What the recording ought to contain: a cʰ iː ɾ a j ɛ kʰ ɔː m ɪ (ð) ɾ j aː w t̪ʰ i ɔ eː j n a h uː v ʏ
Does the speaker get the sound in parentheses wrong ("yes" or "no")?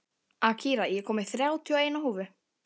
yes